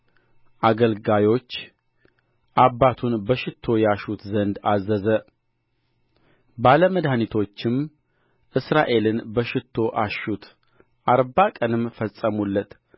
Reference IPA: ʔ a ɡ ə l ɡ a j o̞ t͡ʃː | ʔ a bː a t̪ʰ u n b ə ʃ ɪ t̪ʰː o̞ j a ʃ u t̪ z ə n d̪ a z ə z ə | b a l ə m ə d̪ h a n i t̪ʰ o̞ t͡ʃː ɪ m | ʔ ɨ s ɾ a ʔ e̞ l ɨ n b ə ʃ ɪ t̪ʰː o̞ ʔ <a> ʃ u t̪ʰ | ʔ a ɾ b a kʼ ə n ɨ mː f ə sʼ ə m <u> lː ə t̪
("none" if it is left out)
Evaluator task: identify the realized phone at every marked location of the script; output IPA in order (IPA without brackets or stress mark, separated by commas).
a, u